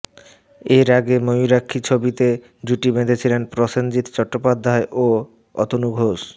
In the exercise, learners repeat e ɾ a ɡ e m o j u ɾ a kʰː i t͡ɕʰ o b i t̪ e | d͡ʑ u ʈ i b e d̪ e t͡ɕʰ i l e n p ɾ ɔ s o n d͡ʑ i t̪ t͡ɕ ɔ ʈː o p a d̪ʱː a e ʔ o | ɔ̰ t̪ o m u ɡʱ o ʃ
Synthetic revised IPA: e ɾ a ɡ e m o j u ɾ a kʰː i t͡ɕʰ o b i t̪ e | d͡ʑ u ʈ i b e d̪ e t͡ɕʰ i l e n p ɾ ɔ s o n d͡ʑ i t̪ t͡ɕ ɔ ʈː o p a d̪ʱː a e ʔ o | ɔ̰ t̪ o n u ɡʱ o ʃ